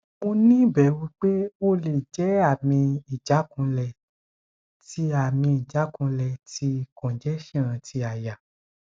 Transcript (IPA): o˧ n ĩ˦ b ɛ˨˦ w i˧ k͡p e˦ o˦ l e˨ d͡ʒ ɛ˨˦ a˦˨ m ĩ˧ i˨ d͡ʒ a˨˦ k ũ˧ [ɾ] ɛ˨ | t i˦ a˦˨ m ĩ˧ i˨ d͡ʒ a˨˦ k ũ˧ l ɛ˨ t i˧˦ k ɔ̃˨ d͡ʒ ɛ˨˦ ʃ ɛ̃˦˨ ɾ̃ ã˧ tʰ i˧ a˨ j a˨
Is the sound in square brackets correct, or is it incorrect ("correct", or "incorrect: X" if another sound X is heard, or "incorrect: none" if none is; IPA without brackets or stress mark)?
incorrect: l